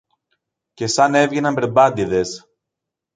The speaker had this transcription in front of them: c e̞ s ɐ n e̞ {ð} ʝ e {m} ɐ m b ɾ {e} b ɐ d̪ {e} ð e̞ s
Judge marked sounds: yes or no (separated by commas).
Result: no, no, yes, no